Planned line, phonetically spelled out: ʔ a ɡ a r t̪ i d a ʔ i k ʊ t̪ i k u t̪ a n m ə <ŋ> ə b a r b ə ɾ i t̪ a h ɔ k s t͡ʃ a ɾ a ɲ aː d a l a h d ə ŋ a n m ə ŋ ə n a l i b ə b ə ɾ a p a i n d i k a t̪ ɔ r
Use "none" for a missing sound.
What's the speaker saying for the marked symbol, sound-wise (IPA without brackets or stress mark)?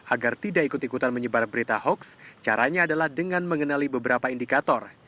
ɲ